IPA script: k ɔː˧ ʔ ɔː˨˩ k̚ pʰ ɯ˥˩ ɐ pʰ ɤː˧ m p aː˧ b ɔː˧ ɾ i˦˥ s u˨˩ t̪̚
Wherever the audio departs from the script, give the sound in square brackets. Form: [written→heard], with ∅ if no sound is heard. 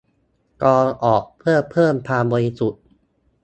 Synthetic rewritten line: k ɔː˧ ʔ ɔː˨˩ k̚ pʰ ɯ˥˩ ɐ pʰ [ɤː˧→ɤː˥˩] m [p→pʰ] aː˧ b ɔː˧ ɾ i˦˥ s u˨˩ t̪̚